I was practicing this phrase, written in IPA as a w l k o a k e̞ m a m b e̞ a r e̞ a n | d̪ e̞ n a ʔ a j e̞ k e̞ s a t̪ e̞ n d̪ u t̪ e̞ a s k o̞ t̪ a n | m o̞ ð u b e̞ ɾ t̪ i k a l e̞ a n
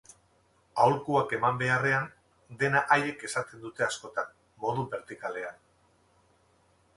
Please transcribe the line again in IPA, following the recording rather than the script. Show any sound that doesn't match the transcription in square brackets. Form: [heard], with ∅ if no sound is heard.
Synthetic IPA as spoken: a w l k [u] a k e̞ m a m b e̞ a r e̞ a n | d̪ e̞ n a ʔ a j e̞ k e̞ s a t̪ e̞ n d̪ u t̪ e̞ a s k o̞ t̪ a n | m o̞ ð u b e̞ ɾ t̪ i k a l e̞ a n